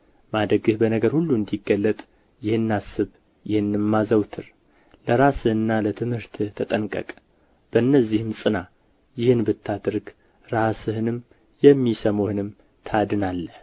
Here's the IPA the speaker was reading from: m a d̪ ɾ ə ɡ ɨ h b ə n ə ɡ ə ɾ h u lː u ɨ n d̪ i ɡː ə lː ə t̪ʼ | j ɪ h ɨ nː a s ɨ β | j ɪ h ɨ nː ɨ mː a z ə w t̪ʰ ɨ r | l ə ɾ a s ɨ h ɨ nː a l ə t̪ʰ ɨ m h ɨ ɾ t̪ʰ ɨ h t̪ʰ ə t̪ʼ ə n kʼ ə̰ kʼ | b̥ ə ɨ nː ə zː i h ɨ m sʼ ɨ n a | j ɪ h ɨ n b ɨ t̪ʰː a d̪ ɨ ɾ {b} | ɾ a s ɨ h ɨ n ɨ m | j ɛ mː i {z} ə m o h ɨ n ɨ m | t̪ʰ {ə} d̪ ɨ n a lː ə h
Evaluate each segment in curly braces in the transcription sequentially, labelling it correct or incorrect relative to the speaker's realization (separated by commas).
incorrect, incorrect, incorrect